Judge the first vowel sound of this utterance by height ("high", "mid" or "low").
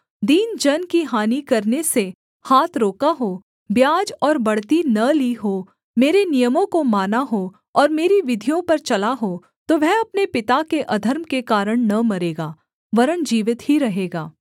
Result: high